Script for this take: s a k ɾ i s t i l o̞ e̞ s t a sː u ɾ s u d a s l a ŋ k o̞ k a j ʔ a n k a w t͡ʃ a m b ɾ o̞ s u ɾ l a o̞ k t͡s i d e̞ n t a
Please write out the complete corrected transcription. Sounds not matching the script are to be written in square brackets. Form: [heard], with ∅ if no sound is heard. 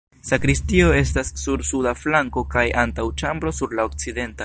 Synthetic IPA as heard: s a k ɾ i s t i [∅] o̞ e̞ s t a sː u ɾ s u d a [f] l a ŋ k o̞ k a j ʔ a n [t] a w t͡ʃ a m b ɾ o̞ s u ɾ l a o̞ k t͡s i d e̞ n t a